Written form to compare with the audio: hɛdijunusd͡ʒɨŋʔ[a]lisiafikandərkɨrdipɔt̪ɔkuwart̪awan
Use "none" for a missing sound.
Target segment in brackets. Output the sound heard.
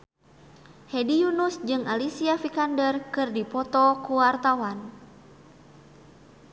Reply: a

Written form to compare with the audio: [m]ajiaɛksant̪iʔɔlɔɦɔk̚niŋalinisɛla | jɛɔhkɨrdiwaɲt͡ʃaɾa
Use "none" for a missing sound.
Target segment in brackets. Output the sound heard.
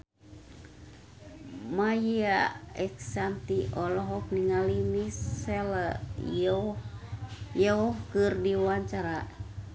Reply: m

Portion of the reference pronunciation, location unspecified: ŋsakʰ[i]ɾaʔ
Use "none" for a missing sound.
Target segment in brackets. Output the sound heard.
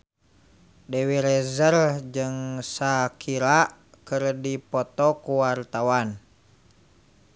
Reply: i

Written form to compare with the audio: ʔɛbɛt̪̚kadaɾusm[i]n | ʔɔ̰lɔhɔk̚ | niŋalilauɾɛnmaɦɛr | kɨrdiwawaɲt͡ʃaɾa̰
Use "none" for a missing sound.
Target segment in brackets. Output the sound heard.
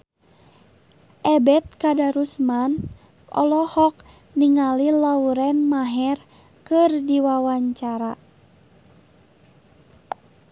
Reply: a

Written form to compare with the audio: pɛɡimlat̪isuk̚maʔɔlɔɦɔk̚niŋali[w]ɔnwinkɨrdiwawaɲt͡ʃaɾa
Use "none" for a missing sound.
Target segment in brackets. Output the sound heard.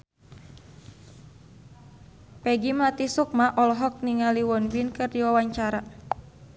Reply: w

